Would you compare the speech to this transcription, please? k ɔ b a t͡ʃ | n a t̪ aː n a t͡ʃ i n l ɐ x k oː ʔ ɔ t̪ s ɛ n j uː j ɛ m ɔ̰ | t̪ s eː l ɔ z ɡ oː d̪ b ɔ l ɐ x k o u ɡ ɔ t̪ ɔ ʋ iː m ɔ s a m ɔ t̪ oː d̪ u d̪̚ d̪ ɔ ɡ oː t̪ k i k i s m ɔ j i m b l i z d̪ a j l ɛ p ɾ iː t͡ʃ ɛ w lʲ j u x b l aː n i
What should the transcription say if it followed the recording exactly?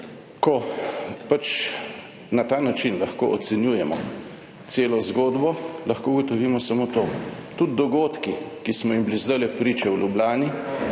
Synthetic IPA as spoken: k ɔ p a t͡ʃ | n a t̪ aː n a t͡ʃ i n l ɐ x k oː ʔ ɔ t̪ s ɛ n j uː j ɛ m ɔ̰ | t̪ s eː l ɔ z ɡ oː d̪ b ɔ l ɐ x k o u ɡ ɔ t̪ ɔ ʋ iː m ɔ s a m o t̪ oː t̪ u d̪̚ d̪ ɔ ɡ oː t̪ k i k i s m ɔ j i m b l i z d̪ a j l ɛ p ɾ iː t͡ʃ ɛ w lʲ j u b l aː n i